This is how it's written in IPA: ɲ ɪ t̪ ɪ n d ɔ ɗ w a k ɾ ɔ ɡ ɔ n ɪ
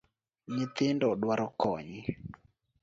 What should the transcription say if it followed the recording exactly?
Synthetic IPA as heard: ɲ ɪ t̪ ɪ n d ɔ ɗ w a ɾ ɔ k ɔ ɲ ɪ